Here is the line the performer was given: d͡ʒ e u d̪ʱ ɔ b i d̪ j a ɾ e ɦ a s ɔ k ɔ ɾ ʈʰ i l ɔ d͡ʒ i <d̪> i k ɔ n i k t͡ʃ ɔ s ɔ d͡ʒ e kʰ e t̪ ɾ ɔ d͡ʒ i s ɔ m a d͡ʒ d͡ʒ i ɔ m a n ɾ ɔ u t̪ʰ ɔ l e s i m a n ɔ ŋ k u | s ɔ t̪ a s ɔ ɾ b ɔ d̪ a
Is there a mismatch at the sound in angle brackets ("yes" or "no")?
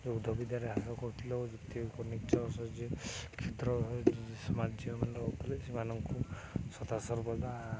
yes